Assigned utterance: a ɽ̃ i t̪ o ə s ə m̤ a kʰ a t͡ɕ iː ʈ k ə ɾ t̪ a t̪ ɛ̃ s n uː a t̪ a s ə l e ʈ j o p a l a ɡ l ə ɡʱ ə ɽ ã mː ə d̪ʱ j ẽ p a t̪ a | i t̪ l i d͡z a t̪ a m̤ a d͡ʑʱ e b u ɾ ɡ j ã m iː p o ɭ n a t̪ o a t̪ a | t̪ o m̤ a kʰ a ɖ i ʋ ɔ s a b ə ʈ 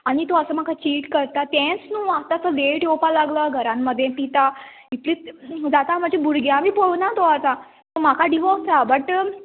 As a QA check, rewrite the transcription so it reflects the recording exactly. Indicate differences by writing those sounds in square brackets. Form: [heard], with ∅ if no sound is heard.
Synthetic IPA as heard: a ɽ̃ i t̪ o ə s ə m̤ a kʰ a t͡ɕ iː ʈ k ə ɾ t̪ a t̪ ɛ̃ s n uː a t̪ a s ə l e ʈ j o p a l a ɡ l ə ɡʱ ə [ɾ] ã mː ə d̪ʱ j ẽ p [i] t̪ a | i t̪ l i d͡z a t̪ a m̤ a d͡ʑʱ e b u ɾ ɡ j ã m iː p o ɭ n a t̪ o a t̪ a | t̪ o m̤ a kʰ a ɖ i ʋ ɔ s a b ə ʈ